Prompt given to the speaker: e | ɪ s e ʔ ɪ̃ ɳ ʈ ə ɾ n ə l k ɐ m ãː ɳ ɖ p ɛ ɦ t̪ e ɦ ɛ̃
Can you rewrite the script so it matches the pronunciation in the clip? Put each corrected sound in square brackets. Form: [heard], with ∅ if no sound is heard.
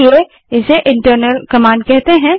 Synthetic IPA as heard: e | ɪ s e ʔ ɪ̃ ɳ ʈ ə ɾ n ə l k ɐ m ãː ɳ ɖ [k] ɛ ɦ t̪ e ɦ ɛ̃